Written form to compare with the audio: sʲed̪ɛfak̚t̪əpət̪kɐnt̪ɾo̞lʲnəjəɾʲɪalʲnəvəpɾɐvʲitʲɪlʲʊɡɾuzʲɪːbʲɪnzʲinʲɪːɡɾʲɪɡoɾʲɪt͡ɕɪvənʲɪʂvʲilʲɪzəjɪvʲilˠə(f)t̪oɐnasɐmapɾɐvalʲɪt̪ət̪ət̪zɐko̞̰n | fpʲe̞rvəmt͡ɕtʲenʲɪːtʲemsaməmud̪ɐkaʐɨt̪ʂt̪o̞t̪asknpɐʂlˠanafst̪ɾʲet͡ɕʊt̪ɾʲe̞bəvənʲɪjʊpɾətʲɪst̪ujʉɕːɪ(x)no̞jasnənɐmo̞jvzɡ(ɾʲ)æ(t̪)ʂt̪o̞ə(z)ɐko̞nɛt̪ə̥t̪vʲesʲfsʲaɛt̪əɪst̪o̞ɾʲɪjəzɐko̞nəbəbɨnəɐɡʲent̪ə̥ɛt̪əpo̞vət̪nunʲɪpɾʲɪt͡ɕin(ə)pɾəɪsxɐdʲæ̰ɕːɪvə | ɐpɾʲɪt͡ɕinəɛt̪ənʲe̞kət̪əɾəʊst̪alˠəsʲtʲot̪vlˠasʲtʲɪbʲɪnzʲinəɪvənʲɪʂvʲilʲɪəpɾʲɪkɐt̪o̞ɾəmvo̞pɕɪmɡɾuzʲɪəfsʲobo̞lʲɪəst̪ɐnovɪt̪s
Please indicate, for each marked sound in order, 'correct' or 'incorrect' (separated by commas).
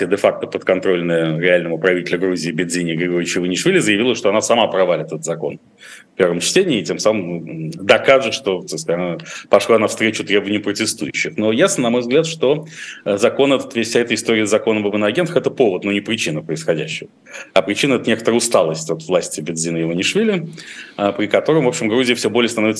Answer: incorrect, correct, incorrect, correct, correct, correct